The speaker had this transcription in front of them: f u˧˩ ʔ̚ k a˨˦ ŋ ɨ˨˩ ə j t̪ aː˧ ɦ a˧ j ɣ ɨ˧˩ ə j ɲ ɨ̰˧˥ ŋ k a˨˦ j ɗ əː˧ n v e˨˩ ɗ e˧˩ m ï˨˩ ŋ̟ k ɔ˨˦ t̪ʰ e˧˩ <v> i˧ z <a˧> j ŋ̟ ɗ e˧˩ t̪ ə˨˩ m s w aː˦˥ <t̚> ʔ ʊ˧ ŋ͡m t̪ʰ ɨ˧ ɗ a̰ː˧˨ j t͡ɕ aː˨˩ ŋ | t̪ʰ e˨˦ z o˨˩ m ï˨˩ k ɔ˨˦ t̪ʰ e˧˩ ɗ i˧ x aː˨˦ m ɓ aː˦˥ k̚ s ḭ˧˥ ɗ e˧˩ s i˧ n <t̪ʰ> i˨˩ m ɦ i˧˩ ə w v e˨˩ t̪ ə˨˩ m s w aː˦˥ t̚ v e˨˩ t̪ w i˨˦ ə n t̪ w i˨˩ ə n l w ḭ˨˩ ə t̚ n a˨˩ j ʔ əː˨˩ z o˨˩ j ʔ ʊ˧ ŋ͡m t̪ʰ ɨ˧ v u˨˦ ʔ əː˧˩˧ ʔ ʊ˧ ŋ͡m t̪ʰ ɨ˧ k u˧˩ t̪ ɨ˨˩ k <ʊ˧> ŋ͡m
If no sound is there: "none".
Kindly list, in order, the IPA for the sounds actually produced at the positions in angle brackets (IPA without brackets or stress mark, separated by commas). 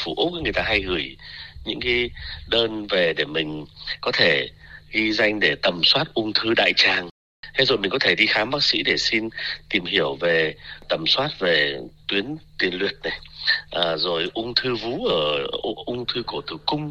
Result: ɣ, a˧, t̚, t̪, ʊ˧